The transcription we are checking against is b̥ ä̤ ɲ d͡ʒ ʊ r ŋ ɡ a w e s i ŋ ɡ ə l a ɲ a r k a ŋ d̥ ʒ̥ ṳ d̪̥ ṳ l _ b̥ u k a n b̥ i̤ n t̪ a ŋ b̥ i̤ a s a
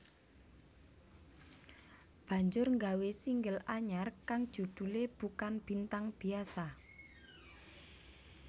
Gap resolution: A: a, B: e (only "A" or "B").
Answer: B